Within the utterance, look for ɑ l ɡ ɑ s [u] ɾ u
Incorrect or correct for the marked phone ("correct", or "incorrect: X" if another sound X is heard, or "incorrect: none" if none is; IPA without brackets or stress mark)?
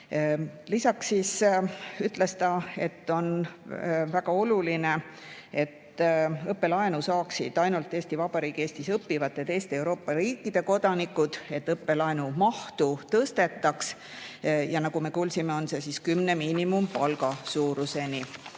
incorrect: uː